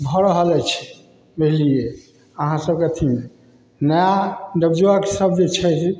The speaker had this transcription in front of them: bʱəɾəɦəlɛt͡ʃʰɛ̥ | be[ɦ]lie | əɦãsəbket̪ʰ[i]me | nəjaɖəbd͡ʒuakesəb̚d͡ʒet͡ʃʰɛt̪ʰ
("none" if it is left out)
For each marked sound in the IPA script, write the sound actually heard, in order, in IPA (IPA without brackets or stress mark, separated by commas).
ɦ, i